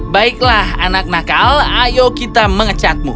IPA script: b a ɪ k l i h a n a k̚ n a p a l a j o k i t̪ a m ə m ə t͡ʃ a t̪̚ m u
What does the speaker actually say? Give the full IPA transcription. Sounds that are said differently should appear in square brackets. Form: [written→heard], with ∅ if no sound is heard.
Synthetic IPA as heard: b a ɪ k l [i→a] h a n a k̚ n a [p→k] a l a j o k i t̪ a m ə [m→ŋ] ə t͡ʃ a t̪̚ m u